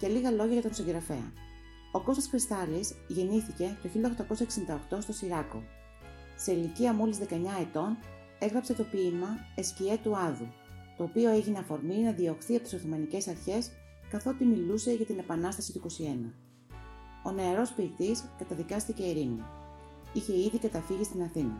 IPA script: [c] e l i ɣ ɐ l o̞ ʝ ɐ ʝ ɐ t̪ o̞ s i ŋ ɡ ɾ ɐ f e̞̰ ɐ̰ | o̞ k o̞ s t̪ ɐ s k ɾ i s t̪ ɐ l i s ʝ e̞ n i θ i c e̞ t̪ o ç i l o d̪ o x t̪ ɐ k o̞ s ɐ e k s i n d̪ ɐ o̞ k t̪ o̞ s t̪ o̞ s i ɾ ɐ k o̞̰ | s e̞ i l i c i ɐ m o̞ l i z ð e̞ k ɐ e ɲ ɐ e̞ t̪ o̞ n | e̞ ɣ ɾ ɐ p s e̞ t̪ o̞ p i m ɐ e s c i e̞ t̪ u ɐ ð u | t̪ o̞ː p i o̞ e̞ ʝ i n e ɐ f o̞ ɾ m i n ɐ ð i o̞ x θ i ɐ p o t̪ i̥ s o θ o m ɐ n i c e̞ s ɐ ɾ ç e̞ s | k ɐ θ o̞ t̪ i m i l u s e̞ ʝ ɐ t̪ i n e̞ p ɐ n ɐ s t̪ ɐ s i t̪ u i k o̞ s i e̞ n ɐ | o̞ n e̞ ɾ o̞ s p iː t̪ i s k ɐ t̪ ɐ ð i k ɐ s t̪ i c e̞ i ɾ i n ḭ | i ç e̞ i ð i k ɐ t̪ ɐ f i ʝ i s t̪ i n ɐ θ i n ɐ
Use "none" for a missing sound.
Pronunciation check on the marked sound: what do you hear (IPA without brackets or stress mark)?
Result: c